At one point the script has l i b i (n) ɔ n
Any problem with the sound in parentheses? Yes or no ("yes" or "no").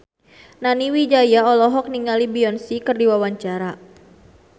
yes